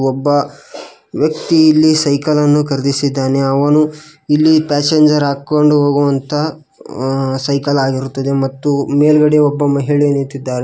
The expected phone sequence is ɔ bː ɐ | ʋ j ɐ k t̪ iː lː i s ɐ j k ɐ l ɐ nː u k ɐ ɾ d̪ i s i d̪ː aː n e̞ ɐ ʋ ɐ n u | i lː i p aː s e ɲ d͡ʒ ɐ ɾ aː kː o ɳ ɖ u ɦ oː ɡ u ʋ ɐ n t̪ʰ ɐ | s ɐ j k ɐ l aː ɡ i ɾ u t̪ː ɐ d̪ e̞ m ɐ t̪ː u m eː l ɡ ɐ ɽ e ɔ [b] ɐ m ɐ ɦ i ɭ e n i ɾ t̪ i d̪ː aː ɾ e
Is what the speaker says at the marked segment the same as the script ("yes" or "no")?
no